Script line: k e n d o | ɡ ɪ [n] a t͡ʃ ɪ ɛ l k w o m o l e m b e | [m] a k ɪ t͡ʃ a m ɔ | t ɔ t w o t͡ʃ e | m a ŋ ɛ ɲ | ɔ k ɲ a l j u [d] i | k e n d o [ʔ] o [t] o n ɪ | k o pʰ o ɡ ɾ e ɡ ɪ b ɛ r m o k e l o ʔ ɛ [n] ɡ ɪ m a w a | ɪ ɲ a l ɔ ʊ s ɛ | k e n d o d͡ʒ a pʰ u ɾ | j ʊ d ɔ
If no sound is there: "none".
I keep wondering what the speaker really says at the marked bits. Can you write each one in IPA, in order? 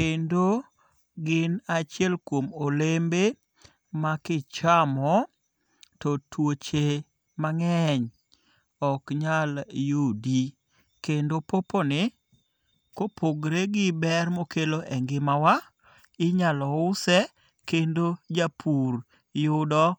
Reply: n, m, d, p, p, ŋ

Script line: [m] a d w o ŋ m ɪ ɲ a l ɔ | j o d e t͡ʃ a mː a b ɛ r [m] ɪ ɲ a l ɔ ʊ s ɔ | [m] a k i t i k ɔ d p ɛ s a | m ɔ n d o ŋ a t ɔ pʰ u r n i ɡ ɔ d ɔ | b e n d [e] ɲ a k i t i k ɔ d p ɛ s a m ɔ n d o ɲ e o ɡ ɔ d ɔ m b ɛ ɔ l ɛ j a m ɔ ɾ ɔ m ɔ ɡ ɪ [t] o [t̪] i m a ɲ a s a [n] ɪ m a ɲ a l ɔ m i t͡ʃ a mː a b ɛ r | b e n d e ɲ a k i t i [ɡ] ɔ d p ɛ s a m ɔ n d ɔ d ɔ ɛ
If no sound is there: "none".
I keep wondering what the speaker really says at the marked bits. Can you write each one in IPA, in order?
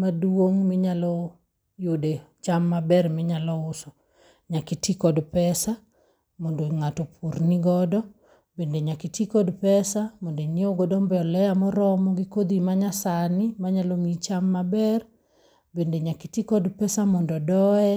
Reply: m, m, ɲ, e, k, d̪, n, k

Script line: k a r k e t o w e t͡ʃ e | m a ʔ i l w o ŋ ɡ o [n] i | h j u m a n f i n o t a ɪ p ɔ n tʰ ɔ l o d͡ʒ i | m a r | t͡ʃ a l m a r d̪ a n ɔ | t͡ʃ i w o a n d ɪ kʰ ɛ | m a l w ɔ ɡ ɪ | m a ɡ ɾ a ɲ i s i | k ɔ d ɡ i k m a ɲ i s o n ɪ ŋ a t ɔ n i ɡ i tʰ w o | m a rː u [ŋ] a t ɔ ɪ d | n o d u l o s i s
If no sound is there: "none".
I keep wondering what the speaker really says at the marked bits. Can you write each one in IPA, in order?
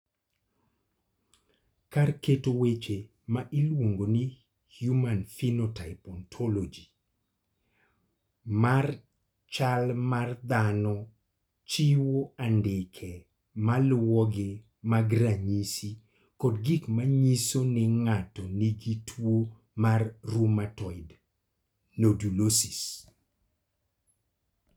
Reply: n, m

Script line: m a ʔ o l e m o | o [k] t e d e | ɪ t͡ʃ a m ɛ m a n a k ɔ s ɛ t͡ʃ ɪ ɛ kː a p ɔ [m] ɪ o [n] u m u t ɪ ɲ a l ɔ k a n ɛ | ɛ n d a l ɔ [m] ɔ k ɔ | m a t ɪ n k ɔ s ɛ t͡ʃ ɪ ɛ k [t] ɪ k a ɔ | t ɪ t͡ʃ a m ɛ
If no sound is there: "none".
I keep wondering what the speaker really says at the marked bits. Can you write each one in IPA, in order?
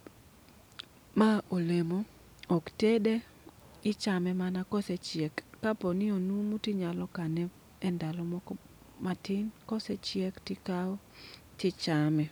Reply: k, n, n, m, t

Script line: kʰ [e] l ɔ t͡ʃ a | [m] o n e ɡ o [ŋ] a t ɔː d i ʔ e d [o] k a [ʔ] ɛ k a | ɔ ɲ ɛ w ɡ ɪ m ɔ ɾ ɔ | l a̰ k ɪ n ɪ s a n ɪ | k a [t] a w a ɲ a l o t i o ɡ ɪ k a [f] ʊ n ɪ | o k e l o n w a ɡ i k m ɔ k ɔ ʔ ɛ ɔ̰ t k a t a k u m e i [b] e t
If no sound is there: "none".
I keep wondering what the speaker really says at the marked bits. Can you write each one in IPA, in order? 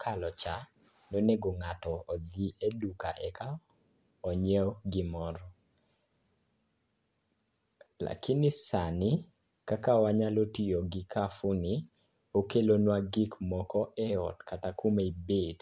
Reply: a, n, ŋ, u, ʔ, k, f, b

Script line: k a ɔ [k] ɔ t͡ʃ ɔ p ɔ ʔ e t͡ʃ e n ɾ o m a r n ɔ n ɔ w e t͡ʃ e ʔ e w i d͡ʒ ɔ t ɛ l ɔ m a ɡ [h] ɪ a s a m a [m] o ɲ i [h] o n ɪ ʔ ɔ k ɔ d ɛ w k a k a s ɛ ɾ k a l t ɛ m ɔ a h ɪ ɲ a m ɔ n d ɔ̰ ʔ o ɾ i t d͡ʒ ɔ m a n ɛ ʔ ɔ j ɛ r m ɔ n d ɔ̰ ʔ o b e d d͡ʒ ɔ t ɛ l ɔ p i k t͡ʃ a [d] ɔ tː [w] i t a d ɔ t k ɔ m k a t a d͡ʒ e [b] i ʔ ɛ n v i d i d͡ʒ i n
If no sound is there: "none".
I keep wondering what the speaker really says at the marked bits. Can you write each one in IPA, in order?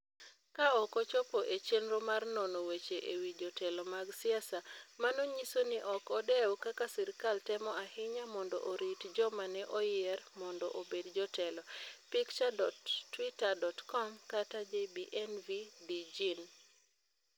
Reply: k, s, n, s, d, w, b

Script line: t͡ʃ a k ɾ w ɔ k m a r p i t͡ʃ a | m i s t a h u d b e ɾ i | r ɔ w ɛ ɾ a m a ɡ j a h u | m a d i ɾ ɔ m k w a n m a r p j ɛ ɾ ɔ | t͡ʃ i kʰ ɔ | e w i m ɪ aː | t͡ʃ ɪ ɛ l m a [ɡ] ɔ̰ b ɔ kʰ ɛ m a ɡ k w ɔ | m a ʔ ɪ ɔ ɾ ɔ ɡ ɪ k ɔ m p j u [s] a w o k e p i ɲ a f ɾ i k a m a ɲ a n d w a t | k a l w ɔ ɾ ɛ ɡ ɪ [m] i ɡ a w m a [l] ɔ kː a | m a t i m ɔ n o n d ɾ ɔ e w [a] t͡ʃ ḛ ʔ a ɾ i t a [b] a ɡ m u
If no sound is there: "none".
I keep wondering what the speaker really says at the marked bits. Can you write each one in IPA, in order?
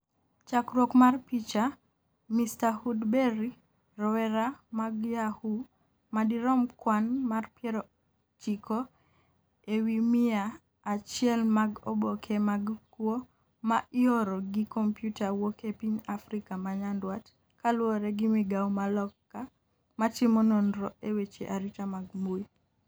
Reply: ɡ, t, m, l, e, m

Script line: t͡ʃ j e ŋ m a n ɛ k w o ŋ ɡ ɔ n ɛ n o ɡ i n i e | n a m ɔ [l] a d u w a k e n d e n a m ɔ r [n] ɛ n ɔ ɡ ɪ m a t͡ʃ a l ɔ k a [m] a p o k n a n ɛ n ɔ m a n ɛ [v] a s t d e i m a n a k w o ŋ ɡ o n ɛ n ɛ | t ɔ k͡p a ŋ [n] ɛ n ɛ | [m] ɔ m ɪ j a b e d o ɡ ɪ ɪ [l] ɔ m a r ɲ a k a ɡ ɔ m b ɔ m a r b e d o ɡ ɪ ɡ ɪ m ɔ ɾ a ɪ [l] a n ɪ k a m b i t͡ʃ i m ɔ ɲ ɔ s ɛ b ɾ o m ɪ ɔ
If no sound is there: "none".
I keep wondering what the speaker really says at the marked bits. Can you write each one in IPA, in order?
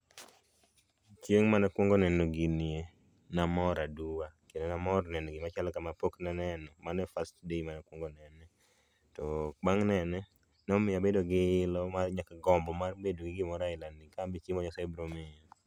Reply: ɾ, n, m, f, n, n, l, l

